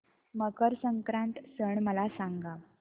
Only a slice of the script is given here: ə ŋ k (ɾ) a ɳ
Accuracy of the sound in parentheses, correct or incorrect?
correct